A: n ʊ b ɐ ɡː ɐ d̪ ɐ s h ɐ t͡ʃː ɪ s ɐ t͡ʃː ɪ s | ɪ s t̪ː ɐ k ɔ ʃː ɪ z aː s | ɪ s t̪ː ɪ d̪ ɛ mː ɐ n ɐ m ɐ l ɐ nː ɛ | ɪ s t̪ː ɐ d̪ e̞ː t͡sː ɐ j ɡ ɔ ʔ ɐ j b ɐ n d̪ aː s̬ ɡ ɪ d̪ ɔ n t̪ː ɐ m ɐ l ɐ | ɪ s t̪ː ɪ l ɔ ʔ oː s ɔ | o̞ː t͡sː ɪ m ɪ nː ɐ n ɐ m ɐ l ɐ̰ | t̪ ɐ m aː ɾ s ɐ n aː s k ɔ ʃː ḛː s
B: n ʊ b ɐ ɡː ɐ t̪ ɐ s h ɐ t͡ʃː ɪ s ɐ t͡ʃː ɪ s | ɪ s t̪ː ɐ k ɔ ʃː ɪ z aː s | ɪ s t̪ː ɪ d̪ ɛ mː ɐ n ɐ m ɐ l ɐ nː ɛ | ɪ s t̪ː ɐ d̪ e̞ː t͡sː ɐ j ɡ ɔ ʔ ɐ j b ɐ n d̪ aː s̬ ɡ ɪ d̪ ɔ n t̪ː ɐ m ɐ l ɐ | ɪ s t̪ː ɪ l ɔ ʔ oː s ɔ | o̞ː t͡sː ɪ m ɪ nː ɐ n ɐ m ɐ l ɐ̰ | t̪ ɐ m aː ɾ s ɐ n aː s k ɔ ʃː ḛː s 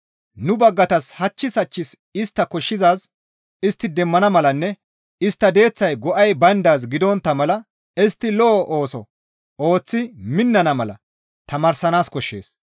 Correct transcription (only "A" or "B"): B